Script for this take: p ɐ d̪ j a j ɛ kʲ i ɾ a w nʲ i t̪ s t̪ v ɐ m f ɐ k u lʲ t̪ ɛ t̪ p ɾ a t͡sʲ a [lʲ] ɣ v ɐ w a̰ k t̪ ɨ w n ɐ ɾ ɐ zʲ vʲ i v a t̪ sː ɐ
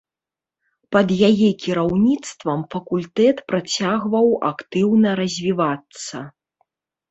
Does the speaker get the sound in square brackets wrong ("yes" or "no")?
yes